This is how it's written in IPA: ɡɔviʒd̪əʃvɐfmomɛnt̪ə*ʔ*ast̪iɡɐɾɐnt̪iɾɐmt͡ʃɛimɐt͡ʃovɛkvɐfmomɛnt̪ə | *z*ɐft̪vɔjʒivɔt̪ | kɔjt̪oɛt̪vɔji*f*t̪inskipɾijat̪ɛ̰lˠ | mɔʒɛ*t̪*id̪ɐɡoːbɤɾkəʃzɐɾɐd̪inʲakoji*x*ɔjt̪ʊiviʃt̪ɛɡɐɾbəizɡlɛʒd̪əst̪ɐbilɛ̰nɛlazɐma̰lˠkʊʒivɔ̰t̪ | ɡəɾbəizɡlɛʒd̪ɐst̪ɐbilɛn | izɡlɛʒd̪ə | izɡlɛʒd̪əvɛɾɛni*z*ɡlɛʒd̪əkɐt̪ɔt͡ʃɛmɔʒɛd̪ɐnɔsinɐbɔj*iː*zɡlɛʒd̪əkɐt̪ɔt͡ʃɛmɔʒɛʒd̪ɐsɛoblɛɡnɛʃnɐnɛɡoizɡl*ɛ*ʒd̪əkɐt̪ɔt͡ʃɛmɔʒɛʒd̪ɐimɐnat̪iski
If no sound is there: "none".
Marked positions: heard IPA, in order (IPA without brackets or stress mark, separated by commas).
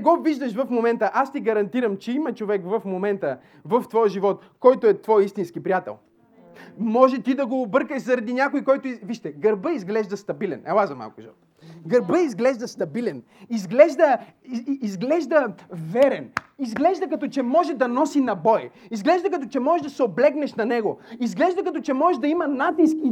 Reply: ʔ, v, s, t̪, k, z, i, ɛ